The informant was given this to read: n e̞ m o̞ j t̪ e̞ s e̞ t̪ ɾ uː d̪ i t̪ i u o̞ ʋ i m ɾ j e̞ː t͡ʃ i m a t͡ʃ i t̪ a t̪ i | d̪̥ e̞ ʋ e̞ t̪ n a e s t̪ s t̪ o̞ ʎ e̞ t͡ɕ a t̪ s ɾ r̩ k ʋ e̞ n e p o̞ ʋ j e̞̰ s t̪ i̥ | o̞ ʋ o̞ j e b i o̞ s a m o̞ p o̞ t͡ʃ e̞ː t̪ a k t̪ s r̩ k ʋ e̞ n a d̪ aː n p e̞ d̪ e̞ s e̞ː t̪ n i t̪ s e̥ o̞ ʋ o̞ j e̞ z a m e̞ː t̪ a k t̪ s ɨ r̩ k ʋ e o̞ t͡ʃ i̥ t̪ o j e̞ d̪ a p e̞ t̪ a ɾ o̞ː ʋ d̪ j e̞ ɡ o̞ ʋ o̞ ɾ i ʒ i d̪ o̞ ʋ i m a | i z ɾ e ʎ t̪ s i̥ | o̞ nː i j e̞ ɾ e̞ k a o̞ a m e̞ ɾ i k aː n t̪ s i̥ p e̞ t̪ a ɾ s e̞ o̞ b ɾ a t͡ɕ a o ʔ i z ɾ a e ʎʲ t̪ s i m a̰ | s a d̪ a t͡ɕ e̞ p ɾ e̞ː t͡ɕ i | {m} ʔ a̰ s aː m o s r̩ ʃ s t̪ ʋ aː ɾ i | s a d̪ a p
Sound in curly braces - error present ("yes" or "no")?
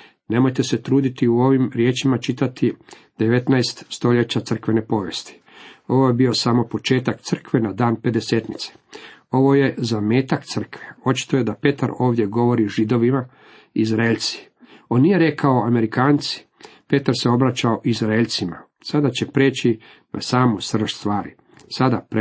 yes